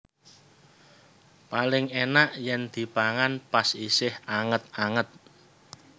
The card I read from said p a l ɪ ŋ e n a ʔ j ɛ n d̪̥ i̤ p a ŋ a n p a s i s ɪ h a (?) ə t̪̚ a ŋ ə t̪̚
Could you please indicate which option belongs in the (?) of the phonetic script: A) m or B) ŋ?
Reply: B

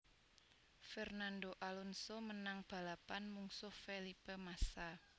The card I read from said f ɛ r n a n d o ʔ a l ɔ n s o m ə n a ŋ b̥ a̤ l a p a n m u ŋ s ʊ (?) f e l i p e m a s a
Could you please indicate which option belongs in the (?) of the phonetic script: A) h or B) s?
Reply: A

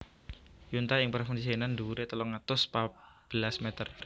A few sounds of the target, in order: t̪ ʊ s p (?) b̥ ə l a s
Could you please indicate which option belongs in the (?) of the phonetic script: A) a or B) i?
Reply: A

